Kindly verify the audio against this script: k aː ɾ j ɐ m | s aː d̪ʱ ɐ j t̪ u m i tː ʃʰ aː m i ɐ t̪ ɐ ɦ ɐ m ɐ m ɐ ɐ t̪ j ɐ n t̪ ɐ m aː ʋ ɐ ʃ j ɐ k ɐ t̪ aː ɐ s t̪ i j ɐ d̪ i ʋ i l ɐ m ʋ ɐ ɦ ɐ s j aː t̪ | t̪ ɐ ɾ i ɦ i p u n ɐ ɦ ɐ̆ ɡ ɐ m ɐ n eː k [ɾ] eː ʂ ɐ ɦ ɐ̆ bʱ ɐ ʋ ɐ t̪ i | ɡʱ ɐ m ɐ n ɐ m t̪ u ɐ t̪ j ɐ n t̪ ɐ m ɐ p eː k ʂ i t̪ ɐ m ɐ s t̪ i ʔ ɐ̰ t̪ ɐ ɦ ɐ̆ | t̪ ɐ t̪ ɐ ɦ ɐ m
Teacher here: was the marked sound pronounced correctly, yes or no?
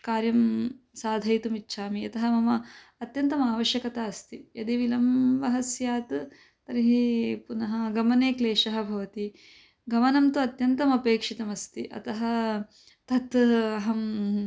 no